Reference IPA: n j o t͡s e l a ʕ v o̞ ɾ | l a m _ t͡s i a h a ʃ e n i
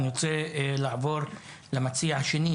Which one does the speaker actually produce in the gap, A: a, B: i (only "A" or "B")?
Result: A